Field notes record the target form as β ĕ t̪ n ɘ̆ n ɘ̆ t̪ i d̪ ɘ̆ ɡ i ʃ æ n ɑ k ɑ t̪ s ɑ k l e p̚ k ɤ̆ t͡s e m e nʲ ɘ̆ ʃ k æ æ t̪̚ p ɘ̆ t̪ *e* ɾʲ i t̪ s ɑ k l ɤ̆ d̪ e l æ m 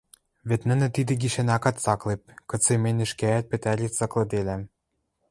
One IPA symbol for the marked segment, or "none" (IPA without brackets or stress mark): æ